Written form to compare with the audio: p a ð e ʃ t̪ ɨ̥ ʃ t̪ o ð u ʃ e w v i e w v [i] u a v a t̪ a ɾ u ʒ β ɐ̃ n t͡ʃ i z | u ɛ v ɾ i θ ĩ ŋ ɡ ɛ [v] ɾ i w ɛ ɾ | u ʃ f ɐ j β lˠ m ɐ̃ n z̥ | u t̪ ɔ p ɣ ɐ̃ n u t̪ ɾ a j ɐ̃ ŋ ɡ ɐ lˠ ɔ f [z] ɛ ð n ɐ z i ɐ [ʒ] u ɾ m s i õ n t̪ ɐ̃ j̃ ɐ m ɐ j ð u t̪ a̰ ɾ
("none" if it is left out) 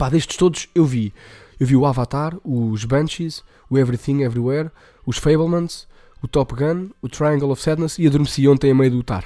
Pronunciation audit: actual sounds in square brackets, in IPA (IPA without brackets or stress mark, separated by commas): i, v, s, ð